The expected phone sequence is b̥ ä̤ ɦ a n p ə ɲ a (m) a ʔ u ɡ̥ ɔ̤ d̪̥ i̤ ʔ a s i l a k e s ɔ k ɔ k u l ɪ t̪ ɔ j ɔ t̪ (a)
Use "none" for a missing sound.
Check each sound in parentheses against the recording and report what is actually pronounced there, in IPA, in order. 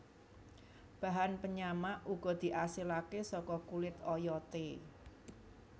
m, e

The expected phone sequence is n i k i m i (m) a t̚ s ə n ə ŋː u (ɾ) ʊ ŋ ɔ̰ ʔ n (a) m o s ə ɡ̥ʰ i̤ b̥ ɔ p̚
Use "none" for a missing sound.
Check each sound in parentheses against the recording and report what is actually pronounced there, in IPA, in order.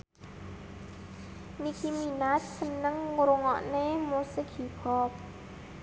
n, ɾ, e

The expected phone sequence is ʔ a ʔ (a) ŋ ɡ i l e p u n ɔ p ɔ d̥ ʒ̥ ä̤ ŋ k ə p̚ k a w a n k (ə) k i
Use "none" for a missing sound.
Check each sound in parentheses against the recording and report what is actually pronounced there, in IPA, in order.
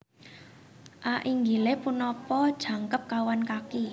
i, a

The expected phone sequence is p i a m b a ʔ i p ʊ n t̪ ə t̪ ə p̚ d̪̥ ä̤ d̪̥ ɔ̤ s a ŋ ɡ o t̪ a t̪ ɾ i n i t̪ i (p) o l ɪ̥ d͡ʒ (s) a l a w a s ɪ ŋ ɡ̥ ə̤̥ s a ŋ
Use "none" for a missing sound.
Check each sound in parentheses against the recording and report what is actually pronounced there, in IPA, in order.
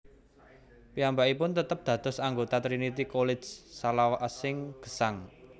k, s

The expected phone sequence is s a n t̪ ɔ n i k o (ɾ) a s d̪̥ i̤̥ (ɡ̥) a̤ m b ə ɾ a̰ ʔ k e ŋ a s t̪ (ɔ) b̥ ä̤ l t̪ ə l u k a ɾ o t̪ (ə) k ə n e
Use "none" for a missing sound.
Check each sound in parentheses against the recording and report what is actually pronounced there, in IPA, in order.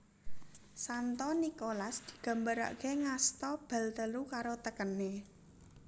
l, ɡ̥, ɔ, ə

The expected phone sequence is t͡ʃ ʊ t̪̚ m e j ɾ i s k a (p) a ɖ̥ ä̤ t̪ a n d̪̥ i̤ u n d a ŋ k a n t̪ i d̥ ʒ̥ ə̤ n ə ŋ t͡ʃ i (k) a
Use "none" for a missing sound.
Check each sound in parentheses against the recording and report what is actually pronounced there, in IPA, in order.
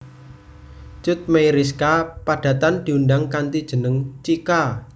p, k

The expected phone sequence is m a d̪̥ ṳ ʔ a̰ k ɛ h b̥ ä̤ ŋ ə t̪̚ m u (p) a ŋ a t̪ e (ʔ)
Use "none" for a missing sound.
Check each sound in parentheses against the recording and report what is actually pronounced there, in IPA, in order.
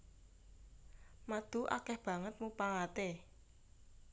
p, none

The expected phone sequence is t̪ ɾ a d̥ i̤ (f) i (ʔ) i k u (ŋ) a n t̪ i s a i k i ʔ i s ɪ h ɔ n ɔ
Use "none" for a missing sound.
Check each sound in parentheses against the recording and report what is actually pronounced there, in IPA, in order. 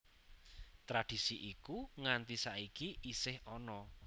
s, ʔ, ŋ

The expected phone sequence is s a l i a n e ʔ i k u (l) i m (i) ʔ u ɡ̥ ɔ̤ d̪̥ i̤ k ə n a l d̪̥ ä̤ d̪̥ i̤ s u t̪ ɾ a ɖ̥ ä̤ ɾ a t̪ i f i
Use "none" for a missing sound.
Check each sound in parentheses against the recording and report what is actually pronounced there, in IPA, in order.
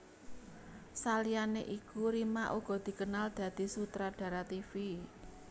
ɾ, a

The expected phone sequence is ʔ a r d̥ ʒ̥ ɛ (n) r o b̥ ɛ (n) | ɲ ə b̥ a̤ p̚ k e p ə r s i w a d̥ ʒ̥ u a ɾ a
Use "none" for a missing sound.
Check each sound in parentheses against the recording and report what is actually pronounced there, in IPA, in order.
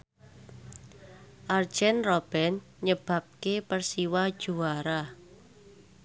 n, n

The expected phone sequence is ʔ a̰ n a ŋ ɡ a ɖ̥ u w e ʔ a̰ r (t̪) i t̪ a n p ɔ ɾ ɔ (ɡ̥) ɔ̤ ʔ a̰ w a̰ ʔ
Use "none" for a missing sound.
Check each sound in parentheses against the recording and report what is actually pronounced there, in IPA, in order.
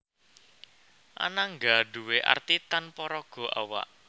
t̪, ɡ̥

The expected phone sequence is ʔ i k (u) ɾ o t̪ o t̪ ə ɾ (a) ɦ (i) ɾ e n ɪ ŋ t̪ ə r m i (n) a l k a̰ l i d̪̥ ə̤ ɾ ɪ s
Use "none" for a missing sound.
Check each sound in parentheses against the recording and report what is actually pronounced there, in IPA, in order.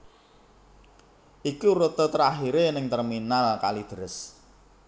u, a, i, n

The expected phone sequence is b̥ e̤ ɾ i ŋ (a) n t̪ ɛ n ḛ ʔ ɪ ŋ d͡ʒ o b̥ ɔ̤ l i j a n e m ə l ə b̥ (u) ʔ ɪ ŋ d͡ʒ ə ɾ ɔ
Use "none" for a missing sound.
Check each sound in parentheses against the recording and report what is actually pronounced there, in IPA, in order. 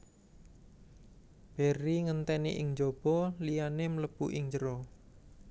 ə, u

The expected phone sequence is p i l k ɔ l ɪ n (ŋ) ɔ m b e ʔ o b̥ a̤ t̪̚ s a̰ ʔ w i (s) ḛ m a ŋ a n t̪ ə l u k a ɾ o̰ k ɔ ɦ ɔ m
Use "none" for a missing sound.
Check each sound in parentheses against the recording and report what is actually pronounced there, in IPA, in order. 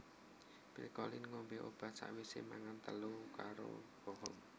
ŋ, s

